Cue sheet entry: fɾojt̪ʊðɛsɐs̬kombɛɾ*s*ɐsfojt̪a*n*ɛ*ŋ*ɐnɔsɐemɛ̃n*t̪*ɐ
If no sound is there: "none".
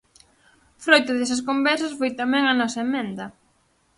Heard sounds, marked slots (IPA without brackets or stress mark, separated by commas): s, m, ŋ, d̪